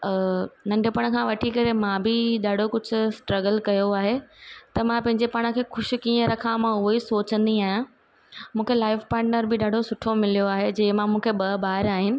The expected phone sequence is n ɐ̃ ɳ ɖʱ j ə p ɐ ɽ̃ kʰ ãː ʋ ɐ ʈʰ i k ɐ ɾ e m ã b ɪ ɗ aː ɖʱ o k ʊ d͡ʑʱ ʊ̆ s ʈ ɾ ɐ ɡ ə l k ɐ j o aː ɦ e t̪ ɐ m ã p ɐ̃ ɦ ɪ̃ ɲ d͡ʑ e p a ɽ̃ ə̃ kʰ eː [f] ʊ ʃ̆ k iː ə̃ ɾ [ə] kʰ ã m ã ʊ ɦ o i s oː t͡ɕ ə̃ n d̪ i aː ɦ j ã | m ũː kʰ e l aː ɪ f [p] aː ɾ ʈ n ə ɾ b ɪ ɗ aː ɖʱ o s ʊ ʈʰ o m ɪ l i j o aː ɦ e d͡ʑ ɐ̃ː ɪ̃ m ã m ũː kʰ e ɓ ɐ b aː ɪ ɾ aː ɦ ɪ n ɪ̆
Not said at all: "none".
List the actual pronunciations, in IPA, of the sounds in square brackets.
x, ɐ, p

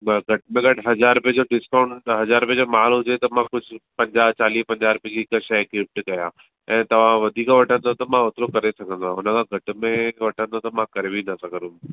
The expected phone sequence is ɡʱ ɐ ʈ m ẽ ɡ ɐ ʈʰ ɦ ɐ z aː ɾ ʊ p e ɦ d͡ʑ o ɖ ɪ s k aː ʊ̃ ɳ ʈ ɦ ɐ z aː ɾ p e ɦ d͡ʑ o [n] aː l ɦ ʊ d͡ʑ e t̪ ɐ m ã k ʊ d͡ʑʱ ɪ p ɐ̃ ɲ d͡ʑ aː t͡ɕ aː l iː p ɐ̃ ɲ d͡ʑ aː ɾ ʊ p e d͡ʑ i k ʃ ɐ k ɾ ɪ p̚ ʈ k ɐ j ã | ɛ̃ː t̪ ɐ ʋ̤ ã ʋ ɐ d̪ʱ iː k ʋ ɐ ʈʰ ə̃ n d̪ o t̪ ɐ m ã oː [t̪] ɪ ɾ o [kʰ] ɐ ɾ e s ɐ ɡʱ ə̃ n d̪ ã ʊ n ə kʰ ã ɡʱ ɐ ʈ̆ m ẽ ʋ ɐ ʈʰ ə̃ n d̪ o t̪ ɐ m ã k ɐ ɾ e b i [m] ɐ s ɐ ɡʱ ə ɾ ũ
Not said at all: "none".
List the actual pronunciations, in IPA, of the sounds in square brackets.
m, t̪, k, n

